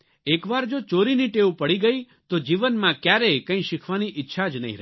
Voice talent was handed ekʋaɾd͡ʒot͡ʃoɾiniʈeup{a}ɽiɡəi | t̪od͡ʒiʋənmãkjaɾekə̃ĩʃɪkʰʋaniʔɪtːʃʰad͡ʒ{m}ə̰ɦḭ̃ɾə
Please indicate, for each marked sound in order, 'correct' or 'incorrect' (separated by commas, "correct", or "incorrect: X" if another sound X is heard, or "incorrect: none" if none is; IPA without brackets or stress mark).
incorrect: ə, incorrect: n